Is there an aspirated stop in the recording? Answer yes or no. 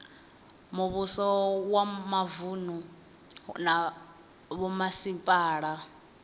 no